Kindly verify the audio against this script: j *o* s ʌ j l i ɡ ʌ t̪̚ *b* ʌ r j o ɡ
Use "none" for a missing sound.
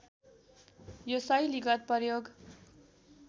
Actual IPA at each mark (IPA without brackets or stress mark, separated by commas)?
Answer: o, p